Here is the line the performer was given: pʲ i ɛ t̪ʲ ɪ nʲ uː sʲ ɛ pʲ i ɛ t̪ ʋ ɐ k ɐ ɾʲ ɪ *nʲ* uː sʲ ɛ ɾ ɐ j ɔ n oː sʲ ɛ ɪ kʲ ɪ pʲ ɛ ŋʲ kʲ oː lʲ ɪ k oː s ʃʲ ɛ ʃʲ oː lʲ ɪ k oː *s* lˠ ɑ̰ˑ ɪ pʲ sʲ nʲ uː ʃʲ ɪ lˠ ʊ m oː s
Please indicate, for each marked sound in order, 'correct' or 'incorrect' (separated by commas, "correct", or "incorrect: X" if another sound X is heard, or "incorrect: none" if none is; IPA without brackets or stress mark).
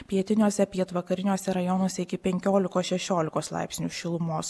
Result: correct, correct